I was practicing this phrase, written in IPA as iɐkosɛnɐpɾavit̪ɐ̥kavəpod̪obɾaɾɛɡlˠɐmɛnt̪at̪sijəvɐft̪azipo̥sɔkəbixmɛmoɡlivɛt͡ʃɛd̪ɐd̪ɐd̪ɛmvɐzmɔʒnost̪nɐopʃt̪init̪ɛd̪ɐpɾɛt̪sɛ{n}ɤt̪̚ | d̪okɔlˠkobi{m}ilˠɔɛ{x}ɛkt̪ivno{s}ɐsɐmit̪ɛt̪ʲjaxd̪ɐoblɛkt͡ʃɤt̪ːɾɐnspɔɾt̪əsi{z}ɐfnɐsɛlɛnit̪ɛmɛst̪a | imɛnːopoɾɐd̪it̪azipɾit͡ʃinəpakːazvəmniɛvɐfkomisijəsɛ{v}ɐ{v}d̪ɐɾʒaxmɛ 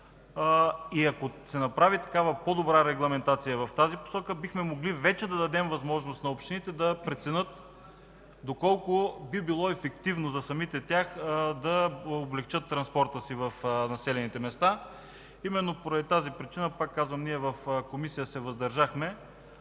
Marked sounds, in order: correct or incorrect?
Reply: correct, incorrect, incorrect, incorrect, incorrect, correct, incorrect

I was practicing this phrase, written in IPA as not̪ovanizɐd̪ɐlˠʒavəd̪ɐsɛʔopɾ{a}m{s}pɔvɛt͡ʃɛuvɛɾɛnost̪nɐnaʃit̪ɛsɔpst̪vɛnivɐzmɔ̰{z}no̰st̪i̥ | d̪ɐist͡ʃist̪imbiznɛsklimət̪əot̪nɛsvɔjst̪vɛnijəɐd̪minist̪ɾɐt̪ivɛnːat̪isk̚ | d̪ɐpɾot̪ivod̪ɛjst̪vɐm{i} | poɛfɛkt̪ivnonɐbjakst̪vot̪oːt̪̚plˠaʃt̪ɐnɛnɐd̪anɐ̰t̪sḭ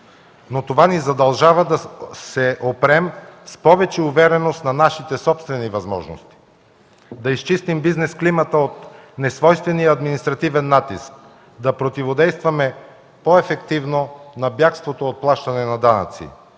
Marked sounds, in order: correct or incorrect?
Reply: incorrect, correct, incorrect, incorrect

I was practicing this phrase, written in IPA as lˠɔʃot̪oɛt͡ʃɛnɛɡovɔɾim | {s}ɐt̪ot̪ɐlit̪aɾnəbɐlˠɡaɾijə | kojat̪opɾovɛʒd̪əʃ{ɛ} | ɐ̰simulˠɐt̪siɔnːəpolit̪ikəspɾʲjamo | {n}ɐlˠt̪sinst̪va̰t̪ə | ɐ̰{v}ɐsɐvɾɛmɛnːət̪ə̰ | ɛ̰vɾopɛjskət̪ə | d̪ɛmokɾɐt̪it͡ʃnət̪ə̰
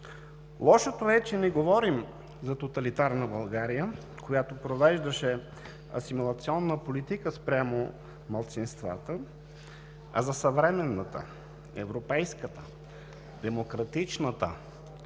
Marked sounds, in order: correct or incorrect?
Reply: incorrect, correct, incorrect, incorrect

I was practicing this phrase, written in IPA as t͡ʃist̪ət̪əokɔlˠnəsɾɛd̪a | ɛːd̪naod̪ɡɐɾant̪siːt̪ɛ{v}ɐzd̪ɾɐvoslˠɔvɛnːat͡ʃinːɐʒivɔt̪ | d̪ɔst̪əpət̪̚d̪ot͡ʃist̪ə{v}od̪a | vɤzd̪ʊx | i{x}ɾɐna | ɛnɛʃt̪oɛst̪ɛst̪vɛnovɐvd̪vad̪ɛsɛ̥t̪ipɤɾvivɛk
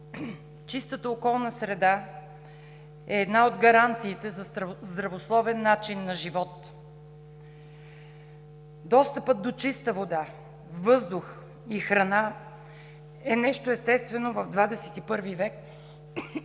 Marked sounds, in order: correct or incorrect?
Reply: incorrect, correct, correct

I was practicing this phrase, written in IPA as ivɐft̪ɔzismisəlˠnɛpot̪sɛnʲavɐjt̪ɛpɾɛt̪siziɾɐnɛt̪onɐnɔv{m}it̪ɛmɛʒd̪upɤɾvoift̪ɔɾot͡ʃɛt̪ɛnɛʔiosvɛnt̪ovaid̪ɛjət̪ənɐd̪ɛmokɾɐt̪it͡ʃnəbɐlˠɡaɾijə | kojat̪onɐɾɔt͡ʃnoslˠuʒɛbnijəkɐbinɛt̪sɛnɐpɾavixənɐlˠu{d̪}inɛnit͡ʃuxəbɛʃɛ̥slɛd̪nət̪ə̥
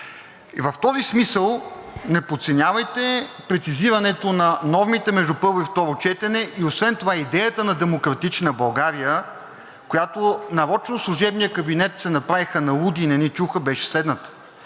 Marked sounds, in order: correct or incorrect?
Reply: correct, correct

